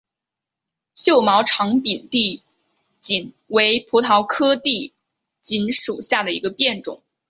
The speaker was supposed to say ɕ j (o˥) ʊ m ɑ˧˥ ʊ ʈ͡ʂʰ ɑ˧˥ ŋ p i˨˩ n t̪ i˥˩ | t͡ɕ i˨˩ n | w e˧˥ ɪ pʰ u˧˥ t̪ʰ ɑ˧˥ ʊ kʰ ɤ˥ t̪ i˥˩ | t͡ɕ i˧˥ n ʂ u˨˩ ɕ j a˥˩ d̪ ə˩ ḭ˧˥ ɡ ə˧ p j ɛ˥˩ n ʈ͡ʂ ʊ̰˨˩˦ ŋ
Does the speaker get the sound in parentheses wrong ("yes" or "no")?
yes